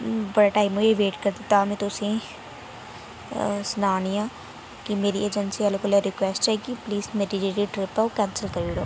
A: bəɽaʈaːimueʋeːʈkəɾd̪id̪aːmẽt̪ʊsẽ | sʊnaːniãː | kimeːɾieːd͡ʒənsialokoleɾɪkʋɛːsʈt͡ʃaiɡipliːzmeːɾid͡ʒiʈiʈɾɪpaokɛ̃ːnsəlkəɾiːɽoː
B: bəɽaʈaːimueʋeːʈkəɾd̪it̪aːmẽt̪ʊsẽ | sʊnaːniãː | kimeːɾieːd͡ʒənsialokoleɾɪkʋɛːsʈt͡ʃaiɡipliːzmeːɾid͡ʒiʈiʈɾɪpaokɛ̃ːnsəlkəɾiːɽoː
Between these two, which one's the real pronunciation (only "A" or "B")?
B